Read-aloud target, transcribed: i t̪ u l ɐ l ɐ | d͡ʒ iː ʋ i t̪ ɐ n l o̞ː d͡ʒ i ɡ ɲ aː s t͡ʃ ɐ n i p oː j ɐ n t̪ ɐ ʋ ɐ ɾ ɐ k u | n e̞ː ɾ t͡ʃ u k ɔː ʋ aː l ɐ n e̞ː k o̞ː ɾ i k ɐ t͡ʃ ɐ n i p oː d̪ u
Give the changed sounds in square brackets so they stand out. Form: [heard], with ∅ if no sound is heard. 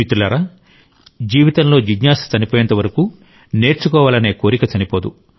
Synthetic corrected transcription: i t̪ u l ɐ [ɾ] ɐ | d͡ʒ iː ʋ i t̪ ɐ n l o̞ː d͡ʒ i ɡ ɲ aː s t͡ʃ ɐ n i p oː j ɐ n t̪ ɐ ʋ ɐ ɾ ɐ k u | n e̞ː ɾ t͡ʃ u k ɔː ʋ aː l ɐ n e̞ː k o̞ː ɾ i k ɐ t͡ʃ ɐ n i p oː d̪ u